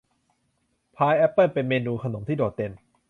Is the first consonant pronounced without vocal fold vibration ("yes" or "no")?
yes